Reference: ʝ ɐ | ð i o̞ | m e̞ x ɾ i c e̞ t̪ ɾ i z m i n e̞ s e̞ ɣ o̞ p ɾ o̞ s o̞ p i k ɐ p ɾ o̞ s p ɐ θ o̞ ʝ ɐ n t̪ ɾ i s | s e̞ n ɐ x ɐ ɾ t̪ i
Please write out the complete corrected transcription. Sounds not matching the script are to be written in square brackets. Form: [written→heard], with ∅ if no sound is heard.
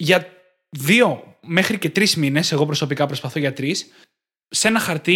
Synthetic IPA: ʝ ɐ | ð i o̞ | m e̞ x ɾ i c e̞ t̪ ɾ i z m i n e̞ s e̞ ɣ o̞ p ɾ o̞ s o̞ p i k ɐ p ɾ o̞ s p ɐ θ o̞ ʝ ɐ [n→∅] t̪ ɾ i s | s e̞ n ɐ x ɐ ɾ t̪ i